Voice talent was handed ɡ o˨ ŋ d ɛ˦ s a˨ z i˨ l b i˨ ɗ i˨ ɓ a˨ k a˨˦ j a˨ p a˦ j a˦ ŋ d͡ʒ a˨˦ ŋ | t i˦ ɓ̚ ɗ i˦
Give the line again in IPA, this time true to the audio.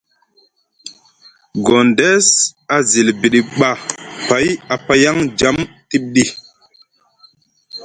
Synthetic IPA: ɡ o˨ n d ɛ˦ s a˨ z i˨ l b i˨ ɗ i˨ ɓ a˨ p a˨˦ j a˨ p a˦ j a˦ ŋ d͡ʒ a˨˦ m | t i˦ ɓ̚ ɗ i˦